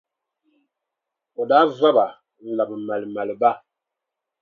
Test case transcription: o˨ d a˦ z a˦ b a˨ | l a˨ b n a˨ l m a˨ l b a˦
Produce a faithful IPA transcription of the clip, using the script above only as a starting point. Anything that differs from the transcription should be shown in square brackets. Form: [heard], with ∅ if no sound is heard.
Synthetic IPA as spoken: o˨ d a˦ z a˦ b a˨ | l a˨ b [m] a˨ l m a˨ l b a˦